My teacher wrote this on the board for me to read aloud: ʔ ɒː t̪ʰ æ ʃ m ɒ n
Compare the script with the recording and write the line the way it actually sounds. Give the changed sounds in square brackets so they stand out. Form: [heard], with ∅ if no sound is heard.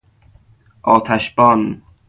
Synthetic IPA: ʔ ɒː t̪ʰ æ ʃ [b] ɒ n